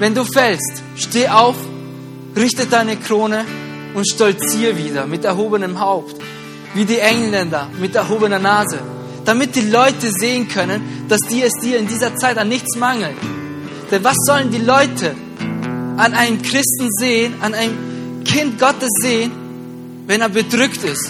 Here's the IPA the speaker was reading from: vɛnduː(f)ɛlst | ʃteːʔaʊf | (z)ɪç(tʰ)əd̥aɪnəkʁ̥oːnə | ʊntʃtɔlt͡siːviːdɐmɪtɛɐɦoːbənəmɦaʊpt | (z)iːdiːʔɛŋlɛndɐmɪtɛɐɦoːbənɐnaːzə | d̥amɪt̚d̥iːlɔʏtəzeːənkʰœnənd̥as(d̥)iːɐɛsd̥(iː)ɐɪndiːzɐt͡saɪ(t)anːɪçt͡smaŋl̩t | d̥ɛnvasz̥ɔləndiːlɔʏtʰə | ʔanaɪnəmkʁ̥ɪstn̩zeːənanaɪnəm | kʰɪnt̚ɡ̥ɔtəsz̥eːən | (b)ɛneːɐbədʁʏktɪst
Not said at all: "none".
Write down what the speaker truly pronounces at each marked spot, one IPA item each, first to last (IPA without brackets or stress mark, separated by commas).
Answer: f, ʁ, t, v, d̥, iː, t, v